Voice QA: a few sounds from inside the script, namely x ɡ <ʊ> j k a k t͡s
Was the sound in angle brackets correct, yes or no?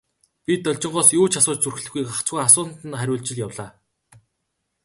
no